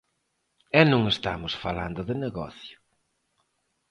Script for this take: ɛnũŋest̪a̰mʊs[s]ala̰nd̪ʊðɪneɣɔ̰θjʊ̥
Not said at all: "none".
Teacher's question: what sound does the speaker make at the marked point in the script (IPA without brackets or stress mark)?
f